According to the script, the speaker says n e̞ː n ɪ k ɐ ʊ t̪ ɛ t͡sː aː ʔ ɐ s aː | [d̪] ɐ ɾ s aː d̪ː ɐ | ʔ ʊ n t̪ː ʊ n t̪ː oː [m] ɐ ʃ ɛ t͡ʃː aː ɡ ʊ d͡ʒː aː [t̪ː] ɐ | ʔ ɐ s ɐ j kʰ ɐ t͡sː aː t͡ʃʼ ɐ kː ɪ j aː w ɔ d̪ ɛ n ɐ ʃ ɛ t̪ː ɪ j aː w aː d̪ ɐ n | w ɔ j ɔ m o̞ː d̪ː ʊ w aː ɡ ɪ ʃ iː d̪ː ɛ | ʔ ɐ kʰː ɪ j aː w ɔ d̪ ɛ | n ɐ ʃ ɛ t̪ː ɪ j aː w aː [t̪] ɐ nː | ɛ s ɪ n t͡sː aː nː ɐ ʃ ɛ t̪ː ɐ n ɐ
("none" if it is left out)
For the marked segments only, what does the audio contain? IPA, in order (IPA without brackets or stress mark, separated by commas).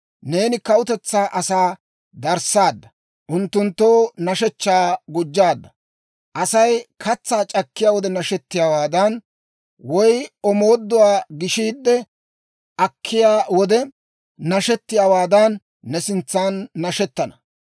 d̪, n, d̪ː, d̪